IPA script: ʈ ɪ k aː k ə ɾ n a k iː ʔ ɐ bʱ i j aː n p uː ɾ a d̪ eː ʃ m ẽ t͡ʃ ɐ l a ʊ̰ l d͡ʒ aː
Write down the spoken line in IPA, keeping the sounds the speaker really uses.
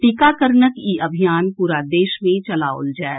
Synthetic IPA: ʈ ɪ k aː k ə ɾ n ə k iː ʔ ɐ bʱ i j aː n p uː ɾ a d̪ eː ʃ m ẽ t͡ʃ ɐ l a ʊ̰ l d͡ʒ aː